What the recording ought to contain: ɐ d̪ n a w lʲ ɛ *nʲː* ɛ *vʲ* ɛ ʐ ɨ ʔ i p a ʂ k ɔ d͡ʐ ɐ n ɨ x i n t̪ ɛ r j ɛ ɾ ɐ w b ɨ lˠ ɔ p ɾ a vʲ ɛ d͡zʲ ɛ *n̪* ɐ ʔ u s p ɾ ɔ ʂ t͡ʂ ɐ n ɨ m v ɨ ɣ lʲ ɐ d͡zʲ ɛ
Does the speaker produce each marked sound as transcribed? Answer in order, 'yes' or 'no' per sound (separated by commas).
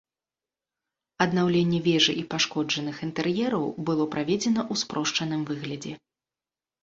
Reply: yes, yes, yes